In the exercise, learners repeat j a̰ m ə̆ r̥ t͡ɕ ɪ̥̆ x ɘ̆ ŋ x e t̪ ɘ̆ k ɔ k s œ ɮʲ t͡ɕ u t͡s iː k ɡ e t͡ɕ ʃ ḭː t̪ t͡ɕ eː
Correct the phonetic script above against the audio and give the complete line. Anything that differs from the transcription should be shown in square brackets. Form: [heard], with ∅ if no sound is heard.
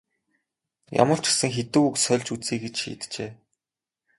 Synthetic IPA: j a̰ m ə̆ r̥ t͡ɕ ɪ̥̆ [s] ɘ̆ ŋ x e t̪ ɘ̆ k [u] k s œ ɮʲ t͡ɕ u t͡s iː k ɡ e t͡ɕ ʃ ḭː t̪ t͡ɕ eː